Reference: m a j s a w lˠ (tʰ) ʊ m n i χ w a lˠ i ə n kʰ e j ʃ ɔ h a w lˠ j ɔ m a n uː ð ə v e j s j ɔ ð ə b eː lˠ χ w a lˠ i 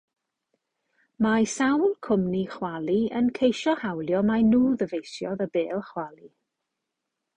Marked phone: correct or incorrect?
incorrect